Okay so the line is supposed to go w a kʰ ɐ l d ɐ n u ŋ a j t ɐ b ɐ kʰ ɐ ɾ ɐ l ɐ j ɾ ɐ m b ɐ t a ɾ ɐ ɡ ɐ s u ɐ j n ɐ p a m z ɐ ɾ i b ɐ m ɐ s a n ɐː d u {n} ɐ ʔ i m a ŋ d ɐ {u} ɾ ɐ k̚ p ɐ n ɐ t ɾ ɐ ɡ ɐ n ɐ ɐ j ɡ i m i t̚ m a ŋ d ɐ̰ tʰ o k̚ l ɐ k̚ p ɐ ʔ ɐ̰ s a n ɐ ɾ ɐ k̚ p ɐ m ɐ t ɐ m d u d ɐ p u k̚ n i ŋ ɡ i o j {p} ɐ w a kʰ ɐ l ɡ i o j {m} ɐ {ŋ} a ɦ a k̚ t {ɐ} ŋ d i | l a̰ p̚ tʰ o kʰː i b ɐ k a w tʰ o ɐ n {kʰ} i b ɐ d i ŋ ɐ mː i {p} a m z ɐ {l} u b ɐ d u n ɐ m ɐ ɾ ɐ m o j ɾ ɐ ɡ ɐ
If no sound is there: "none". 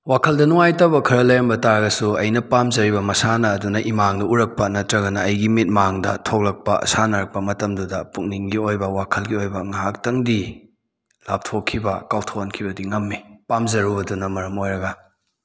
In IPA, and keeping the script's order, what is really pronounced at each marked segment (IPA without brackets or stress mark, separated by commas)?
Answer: n, u, b, b, ŋ, ɐ, kʰ, p, ɾ